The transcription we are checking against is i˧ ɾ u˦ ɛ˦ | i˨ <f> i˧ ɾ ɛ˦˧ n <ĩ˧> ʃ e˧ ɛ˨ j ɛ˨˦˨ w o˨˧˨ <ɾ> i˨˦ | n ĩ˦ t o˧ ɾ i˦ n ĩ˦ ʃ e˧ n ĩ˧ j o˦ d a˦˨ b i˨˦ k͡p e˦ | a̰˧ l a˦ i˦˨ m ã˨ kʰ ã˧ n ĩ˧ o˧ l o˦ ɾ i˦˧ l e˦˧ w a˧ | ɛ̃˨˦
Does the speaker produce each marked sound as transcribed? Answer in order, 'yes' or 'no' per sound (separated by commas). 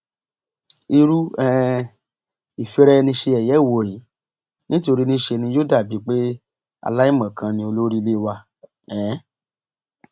yes, yes, yes